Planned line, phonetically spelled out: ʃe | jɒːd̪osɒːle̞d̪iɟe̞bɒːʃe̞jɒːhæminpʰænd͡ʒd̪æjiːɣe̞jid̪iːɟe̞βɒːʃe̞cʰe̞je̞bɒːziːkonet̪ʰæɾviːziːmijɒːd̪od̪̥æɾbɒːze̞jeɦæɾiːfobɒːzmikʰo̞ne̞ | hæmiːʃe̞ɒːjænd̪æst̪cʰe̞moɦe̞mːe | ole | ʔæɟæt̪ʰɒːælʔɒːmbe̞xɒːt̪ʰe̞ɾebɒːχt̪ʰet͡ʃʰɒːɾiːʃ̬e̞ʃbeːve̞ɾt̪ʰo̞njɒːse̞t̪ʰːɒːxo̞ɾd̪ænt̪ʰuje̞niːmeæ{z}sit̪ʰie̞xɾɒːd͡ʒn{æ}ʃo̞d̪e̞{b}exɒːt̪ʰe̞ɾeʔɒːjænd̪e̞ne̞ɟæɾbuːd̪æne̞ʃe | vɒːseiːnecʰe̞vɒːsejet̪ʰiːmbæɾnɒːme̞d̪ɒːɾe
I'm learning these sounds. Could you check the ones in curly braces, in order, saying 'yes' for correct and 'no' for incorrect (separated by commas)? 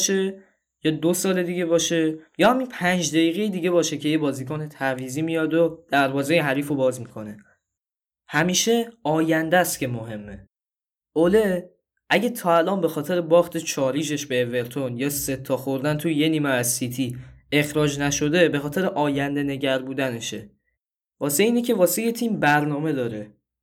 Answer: yes, yes, yes